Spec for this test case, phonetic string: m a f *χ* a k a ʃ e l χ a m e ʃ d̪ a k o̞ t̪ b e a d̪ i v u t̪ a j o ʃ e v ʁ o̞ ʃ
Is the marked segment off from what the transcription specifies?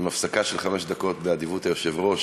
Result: yes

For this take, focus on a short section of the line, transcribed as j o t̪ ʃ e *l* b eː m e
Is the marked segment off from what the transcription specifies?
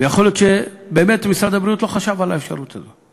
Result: yes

